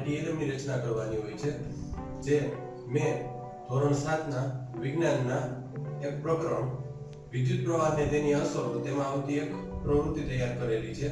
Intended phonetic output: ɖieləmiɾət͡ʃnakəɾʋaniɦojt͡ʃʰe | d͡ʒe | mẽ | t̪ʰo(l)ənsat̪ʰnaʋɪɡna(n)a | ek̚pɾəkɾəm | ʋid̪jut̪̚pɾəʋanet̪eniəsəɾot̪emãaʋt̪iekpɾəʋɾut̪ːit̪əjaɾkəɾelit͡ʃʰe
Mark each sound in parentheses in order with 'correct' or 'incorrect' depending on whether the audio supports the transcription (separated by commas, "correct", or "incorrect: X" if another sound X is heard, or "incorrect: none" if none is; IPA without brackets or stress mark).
incorrect: ɾ, incorrect: nː